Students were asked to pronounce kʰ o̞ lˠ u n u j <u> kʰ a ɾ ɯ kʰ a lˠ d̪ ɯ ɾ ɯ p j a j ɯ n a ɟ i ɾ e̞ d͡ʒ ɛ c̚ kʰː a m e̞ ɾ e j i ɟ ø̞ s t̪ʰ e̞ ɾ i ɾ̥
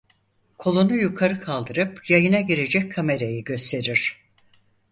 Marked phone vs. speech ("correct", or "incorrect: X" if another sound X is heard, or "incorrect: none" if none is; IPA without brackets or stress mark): correct